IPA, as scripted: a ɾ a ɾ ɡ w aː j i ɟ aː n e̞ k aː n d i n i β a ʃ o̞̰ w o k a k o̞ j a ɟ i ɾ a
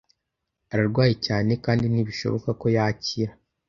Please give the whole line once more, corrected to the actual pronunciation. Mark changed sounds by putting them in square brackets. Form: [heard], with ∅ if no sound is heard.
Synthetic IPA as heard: a ɾ a ɾ ɡ w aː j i [c] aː n e̞ k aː n d i n i β [i] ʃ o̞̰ [β] o k a k o̞ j a [c] i ɾ a